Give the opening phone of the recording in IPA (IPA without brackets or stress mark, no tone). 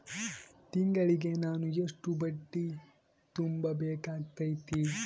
t̪